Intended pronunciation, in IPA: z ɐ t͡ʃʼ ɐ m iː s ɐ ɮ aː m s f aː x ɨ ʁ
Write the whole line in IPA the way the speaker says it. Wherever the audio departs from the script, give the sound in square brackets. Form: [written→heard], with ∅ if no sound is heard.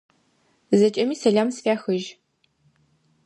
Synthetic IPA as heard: z ɐ t͡ʃʼ ɐ m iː s ɐ ɮ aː m s f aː x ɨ [ʁ→ʒ]